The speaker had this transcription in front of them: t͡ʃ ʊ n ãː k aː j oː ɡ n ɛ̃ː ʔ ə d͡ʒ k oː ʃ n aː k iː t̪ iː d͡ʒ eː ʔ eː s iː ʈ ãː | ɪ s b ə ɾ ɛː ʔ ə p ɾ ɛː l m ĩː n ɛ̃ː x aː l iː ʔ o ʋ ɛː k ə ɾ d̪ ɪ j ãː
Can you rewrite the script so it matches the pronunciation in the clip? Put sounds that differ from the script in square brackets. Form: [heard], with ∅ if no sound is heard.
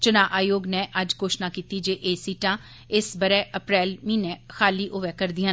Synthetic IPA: t͡ʃ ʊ n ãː [ʔ] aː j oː ɡ n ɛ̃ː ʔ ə d͡ʒ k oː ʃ n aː k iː t̪ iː d͡ʒ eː ʔ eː s iː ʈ ãː | ɪ s b ə ɾ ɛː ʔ ə p ɾ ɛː l m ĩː n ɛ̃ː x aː l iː ʔ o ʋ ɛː k ə ɾ d̪ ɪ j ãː